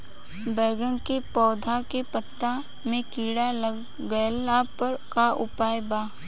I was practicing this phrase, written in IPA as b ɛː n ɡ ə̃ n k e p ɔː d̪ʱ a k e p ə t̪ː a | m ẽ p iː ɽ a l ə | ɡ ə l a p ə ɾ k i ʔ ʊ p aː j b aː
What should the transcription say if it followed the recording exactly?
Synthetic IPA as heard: b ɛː ɡ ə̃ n k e p ɔː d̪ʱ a k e p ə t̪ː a | m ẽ k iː ɽ a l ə | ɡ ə l a p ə ɾ k a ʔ ʊ p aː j b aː